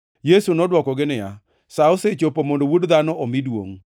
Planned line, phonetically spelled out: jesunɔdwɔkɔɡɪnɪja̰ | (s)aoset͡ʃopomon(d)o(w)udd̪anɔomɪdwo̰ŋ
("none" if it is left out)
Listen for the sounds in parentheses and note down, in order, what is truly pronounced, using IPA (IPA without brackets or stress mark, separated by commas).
s, d, w